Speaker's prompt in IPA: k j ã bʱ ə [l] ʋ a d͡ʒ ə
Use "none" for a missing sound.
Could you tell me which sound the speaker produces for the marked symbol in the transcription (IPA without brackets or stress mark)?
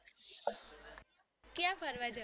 ɾ